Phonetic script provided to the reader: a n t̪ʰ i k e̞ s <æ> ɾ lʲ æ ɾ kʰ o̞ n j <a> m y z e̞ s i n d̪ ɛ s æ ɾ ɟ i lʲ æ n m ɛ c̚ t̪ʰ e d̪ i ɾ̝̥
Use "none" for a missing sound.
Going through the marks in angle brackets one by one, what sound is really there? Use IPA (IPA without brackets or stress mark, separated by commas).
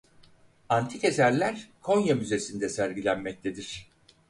æ, a